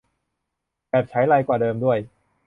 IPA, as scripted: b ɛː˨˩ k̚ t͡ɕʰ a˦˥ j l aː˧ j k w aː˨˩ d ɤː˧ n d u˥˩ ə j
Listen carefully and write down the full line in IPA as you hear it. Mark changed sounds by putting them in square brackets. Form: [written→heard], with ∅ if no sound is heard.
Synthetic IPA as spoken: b ɛː˨˩ [k̚→p̚] t͡ɕʰ a˦˥ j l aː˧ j k w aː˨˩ d ɤː˧ [n→m] d u˥˩ ə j